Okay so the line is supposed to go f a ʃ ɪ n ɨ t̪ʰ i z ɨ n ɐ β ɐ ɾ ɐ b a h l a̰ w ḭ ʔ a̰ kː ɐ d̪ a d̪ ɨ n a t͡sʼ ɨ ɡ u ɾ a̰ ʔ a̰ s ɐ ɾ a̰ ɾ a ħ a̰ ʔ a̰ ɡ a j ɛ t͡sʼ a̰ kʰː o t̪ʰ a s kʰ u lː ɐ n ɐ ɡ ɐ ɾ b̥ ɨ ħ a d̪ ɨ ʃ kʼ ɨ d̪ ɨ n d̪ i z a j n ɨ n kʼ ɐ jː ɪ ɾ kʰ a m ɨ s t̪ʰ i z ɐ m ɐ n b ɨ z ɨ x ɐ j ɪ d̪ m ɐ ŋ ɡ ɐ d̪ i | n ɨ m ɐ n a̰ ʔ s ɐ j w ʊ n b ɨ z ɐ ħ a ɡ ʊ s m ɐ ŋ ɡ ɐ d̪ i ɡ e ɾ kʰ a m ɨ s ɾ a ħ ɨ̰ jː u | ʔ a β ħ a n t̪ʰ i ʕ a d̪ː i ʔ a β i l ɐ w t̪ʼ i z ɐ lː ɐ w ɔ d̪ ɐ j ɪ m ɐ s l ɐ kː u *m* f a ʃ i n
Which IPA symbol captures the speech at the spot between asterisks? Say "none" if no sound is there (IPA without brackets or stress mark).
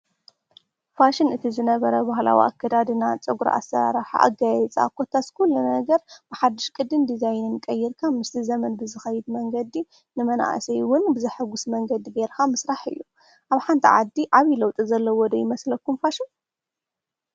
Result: m